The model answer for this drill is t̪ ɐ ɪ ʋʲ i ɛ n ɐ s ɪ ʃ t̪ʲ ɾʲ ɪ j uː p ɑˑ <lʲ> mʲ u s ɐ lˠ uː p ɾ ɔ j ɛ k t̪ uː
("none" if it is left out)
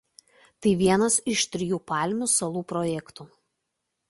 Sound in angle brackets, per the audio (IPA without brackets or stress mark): lʲ